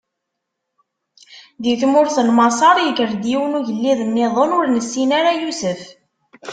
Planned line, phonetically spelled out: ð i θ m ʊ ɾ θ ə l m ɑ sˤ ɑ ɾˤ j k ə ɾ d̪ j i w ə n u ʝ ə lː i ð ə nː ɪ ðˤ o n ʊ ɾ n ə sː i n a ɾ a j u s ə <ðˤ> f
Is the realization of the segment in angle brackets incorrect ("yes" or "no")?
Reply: yes